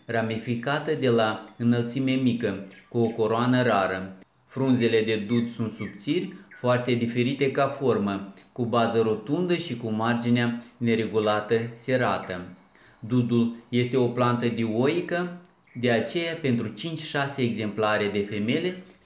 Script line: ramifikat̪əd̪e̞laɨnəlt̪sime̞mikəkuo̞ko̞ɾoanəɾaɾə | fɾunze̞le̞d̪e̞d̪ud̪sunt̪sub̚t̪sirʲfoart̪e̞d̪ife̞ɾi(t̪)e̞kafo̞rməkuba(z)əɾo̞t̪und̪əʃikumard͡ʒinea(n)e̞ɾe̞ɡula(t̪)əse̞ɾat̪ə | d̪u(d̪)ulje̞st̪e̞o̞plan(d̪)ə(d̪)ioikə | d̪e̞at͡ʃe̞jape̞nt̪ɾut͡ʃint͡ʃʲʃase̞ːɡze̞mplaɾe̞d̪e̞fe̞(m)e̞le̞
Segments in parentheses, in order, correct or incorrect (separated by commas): correct, correct, correct, correct, correct, incorrect, correct, correct